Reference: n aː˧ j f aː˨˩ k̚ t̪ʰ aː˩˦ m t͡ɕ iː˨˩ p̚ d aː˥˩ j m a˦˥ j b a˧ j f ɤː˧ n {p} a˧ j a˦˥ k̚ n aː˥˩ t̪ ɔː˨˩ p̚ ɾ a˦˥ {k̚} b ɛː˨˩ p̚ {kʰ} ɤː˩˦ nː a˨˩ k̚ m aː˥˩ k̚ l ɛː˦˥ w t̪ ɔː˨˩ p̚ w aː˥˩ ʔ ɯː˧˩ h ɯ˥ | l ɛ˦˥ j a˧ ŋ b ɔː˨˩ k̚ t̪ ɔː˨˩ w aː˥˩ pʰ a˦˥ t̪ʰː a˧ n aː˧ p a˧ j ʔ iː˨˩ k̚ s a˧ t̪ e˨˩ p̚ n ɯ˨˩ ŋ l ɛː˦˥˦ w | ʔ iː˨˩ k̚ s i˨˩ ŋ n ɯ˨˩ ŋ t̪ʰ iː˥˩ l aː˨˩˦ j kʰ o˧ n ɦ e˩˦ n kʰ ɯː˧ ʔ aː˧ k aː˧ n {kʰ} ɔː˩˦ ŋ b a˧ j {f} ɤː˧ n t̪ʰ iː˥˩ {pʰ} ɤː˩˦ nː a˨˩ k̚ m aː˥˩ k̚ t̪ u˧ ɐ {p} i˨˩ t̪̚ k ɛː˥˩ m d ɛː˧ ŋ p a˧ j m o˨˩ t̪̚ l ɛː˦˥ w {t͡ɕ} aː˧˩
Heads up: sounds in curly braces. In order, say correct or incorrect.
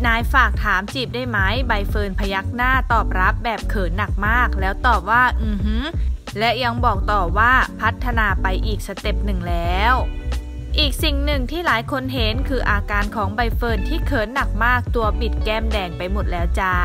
incorrect, incorrect, correct, correct, correct, incorrect, correct, correct

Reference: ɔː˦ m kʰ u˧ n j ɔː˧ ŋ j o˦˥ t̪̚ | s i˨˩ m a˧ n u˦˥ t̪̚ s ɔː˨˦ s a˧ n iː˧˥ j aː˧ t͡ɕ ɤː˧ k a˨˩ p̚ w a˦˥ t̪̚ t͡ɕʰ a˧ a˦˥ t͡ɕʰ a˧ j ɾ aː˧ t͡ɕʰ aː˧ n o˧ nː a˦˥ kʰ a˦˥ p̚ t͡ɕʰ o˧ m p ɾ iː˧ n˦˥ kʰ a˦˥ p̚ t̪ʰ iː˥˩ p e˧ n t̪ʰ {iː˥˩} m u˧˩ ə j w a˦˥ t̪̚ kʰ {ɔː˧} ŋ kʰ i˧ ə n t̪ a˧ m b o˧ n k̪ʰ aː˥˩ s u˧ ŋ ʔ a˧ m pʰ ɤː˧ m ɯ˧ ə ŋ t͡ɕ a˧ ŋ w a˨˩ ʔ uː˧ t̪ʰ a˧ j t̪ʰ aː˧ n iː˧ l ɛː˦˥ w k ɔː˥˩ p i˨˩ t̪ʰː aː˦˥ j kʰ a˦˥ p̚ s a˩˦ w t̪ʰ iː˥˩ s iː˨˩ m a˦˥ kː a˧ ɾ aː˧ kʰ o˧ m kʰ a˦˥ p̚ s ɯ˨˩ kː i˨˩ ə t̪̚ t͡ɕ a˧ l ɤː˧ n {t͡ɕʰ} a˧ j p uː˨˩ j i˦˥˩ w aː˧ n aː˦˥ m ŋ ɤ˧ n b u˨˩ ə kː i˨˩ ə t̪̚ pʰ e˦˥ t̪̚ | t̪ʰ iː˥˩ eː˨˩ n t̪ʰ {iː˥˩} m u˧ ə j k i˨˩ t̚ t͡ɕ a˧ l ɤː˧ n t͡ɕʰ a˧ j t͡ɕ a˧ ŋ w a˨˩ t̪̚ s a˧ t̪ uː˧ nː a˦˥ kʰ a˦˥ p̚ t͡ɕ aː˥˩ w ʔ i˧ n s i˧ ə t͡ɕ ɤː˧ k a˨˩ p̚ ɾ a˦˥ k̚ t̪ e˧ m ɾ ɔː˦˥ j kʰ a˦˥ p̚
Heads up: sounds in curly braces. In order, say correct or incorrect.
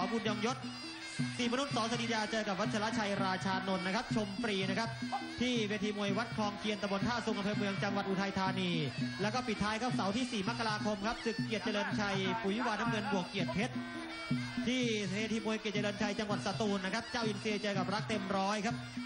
incorrect, correct, correct, incorrect

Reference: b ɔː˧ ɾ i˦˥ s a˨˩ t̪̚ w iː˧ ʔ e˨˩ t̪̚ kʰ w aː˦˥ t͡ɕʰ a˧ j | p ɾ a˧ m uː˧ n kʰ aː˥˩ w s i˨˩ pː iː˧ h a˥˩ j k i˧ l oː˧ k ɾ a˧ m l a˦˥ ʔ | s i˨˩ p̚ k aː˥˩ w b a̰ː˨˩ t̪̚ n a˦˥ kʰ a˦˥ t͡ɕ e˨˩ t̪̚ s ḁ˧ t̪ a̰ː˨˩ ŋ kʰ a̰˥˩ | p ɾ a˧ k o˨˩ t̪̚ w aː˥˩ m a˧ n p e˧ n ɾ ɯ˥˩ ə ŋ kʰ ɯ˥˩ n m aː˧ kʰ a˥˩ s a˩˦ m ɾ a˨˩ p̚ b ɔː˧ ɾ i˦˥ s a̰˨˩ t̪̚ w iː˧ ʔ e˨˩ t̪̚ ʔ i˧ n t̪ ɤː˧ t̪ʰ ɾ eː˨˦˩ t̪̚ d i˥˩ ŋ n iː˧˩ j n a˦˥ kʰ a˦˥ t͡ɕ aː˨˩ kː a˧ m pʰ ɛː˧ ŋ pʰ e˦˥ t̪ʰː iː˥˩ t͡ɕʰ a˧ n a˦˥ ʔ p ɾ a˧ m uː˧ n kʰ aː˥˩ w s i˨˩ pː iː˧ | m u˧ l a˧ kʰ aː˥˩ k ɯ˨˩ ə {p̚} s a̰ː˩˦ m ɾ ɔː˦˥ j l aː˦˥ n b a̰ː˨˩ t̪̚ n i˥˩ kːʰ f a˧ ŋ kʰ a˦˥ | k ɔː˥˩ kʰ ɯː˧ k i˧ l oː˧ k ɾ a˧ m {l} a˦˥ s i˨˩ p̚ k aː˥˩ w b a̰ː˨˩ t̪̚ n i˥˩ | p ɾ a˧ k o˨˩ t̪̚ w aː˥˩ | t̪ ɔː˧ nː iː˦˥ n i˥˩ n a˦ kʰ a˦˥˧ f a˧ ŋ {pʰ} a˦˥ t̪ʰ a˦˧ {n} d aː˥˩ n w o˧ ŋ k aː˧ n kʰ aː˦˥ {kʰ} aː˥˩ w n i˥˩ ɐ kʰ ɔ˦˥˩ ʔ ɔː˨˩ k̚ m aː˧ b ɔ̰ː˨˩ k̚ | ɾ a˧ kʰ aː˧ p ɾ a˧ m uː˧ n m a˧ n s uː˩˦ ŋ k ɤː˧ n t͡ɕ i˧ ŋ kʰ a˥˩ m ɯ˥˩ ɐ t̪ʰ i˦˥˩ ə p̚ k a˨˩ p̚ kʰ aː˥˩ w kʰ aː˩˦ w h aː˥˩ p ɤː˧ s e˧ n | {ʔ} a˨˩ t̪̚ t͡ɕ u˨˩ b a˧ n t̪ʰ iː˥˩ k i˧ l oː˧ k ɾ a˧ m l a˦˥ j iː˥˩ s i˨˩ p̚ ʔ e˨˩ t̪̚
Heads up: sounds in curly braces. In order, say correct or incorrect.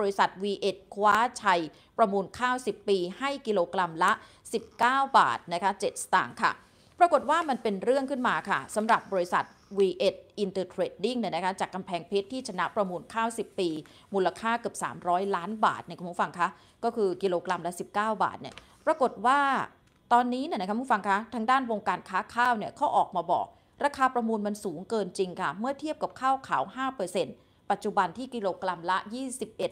correct, correct, incorrect, incorrect, correct, incorrect

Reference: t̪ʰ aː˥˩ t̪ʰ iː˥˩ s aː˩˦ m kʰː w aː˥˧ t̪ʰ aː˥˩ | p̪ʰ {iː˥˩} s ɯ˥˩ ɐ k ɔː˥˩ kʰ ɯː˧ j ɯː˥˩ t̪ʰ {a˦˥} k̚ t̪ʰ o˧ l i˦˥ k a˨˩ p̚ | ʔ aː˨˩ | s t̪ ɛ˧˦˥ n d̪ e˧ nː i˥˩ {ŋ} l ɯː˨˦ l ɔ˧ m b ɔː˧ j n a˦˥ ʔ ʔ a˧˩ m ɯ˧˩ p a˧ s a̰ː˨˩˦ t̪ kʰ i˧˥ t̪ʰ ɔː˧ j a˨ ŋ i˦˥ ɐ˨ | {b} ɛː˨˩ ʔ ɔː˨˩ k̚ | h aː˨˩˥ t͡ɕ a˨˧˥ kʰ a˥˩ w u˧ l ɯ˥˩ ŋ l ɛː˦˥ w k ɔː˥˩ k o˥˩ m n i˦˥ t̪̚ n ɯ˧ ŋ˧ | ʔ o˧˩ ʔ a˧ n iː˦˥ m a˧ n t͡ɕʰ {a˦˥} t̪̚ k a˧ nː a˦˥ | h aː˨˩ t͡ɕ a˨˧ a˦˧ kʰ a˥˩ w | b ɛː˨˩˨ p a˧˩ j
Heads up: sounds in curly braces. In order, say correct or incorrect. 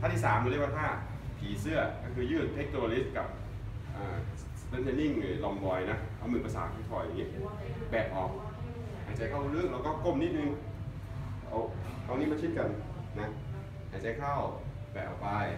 incorrect, incorrect, correct, correct, incorrect

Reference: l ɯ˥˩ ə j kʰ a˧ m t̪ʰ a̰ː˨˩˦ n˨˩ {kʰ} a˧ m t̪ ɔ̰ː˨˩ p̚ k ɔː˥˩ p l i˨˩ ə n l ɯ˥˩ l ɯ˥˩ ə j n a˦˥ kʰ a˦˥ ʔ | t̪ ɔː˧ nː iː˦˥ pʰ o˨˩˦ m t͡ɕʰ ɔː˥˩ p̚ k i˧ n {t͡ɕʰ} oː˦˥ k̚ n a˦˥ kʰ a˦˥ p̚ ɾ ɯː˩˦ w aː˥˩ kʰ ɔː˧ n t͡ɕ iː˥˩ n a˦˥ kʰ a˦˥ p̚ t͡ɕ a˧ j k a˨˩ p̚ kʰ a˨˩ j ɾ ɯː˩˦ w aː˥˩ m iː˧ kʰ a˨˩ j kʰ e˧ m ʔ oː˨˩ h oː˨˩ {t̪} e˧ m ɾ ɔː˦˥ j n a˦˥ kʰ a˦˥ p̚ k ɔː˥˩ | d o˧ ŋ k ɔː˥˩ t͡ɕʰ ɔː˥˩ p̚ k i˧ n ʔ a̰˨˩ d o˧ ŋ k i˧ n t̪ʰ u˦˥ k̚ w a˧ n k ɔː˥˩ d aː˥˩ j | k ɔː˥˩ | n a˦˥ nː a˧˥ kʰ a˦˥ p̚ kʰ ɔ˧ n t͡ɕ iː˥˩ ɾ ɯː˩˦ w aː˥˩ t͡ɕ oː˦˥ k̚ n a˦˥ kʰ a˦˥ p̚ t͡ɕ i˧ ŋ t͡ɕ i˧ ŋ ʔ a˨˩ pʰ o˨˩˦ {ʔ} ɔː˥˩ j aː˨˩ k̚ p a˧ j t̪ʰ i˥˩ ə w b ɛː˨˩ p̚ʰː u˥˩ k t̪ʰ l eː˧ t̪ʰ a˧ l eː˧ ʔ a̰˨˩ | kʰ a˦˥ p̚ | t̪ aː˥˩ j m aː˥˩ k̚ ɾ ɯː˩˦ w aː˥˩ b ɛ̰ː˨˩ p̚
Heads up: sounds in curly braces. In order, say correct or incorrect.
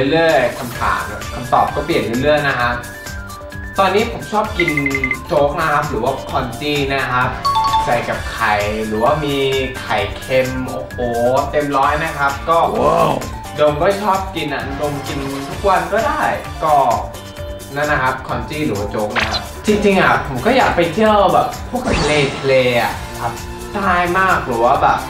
correct, incorrect, correct, incorrect

